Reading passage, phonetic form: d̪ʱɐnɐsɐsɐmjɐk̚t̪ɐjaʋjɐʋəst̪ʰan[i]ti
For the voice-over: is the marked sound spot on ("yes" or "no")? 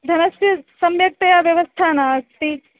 no